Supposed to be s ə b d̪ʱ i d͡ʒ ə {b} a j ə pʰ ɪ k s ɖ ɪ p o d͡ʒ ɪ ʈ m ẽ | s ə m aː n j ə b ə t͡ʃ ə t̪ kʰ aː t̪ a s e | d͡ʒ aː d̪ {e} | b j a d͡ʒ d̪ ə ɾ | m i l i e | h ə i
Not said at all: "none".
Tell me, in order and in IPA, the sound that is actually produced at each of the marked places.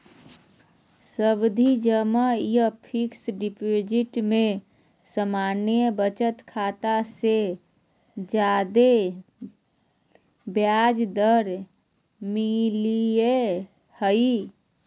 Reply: m, e

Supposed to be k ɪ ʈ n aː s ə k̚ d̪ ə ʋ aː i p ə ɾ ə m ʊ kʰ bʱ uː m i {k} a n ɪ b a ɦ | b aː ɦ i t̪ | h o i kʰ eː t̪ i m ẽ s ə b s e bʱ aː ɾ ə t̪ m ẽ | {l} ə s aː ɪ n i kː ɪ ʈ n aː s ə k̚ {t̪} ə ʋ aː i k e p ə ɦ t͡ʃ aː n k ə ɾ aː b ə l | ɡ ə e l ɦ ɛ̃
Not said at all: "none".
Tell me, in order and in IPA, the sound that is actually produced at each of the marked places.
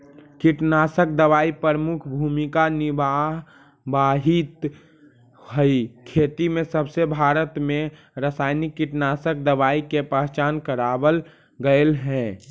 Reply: k, ɾ, d̪

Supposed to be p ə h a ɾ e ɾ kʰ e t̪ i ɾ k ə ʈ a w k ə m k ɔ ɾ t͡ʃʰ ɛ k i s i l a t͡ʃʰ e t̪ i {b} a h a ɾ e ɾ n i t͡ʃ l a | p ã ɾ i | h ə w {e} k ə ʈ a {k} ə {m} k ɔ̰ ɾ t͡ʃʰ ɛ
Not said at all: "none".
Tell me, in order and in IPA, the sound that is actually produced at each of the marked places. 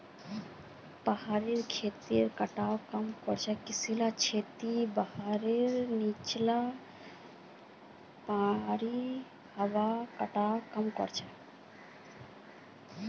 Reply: b, a, k, m

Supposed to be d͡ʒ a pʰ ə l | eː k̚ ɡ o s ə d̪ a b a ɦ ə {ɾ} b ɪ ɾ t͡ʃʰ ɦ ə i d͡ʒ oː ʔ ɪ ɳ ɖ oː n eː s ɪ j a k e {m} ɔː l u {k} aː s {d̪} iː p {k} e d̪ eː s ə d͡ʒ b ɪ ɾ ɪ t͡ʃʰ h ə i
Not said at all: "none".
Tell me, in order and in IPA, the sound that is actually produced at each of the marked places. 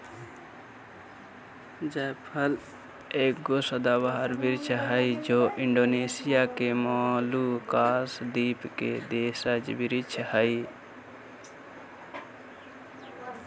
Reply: ɾ, m, k, d̪, k

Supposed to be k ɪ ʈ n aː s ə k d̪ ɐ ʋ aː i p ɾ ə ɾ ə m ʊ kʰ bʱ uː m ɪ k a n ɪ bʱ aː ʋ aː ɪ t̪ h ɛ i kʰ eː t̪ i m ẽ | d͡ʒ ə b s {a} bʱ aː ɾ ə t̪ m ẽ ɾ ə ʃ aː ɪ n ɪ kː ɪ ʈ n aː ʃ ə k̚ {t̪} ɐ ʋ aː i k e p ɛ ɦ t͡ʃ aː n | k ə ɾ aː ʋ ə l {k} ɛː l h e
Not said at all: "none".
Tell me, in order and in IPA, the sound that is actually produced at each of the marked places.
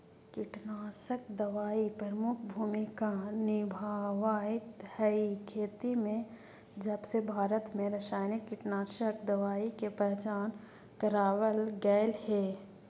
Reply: e, d̪, ɡ

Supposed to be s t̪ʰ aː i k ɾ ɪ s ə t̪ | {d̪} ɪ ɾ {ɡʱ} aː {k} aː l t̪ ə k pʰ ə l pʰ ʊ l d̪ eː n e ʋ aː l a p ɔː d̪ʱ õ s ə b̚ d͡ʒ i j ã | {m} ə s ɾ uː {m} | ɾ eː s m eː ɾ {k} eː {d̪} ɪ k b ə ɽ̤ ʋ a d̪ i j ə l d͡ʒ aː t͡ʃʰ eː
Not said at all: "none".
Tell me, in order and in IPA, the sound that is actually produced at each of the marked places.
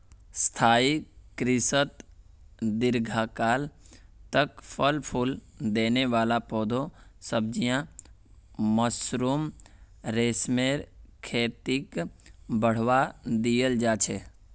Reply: d̪, ɡʱ, k, m, m, kʰ, t̪

